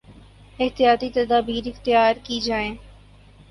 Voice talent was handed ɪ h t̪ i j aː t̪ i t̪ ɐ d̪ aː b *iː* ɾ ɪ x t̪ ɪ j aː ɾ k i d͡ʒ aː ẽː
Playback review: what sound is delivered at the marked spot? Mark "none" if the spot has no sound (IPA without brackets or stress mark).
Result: iː